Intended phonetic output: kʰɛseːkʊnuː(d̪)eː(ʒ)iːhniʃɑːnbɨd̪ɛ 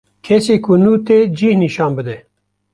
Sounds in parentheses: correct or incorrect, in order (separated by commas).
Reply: incorrect, incorrect